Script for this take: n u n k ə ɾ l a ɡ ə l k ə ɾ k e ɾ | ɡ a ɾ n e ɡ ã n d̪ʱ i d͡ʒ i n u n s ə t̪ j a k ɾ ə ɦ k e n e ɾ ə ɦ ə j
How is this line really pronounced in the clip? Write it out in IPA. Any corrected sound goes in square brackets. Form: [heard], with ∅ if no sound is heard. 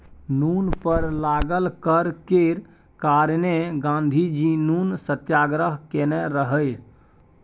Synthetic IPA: n u n [p] ə ɾ l a ɡ ə l k ə ɾ k e ɾ | [k] a ɾ n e ɡ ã n d̪ʱ i d͡ʒ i n u n s ə t̪ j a [ɡ] ɾ ə ɦ k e n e ɾ ə ɦ ə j